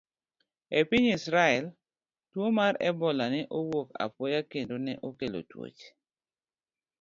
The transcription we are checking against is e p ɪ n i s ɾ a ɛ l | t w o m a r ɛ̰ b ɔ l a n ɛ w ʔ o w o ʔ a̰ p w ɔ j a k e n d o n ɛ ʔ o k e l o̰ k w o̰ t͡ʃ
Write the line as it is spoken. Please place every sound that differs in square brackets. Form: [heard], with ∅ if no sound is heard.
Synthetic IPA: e p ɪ [ɲ] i s ɾ a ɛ l | t w o m a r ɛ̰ b ɔ l a n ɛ [∅] ʔ o w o [k] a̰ p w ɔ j a k e n d o n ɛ ʔ o k e l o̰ [t] w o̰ t͡ʃ